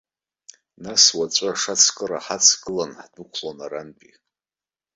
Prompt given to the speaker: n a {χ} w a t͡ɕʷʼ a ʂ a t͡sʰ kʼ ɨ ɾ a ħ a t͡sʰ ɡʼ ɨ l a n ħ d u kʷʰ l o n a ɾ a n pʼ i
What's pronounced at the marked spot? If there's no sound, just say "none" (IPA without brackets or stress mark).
s